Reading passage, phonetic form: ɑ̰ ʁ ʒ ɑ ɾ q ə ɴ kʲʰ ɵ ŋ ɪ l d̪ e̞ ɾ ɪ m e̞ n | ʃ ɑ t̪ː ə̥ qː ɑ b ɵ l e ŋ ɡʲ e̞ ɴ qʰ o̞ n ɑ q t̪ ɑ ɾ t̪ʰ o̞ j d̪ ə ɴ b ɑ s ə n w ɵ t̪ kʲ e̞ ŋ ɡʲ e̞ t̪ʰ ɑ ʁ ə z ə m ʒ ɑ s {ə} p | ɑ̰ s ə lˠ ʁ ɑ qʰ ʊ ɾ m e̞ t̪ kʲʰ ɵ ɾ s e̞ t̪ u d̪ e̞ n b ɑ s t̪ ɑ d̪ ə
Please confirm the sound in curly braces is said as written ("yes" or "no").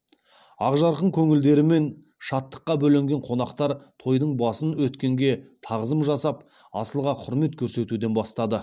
no